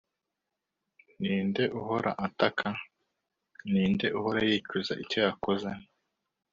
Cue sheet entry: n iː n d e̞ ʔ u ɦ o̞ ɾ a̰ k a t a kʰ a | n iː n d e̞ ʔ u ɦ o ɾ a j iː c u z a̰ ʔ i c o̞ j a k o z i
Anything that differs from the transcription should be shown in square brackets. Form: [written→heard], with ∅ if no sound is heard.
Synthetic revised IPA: n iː n d e̞ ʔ u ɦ o̞ ɾ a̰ [k→ʔ] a t a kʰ a | n iː n d e̞ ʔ u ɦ o ɾ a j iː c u z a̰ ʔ i c o̞ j a k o z [i→e]